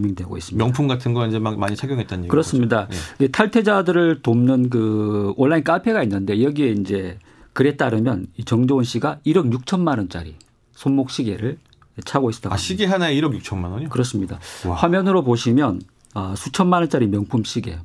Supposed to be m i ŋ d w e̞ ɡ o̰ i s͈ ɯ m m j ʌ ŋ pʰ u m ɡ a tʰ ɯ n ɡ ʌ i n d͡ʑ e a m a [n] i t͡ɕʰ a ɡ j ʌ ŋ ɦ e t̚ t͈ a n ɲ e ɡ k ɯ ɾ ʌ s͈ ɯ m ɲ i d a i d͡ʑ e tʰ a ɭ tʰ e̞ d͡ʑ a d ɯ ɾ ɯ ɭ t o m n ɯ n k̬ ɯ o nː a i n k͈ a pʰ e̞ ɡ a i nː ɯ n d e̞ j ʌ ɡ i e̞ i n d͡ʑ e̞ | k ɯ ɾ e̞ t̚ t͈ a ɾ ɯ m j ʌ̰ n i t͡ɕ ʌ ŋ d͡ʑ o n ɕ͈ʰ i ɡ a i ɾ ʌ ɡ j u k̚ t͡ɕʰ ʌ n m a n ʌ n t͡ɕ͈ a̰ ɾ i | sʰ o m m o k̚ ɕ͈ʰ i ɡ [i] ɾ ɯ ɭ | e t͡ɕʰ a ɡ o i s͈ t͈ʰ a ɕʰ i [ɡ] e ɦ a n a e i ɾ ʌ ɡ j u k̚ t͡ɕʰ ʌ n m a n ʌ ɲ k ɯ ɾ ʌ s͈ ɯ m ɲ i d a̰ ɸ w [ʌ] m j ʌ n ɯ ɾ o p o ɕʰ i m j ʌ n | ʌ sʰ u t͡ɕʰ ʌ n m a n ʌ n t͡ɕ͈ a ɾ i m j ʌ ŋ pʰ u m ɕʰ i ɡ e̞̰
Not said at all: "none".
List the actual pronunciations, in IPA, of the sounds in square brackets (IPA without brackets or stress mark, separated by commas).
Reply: ɲ, e, ɡ, a